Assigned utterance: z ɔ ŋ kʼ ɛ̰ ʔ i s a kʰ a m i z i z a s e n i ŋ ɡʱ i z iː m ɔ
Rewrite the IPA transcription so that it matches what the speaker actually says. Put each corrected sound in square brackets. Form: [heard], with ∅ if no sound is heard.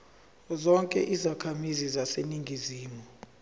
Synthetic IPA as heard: z ɔ ŋ kʼ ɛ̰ ʔ i [z] a kʰ a m i z i z a s e n i ŋ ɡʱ i z iː m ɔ